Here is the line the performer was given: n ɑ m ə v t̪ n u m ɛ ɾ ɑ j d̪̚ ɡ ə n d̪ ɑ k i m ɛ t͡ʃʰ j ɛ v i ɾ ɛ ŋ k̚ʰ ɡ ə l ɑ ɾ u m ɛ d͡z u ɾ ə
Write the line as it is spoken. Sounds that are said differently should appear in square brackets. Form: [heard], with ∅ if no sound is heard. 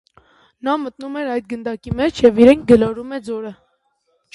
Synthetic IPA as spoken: n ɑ m ə [∅] t̪ n u m ɛ ɾ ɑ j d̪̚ ɡ ə n d̪ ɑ k i m ɛ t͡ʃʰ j ɛ v i ɾ ɛ ŋ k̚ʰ ɡ ə l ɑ ɾ u m ɛ d͡z [ɔ] ɾ ə